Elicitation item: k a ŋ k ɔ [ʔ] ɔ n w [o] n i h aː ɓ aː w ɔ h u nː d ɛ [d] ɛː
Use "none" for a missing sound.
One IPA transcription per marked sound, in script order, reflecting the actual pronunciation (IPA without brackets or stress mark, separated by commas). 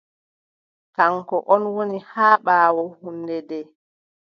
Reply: ʔ, o, d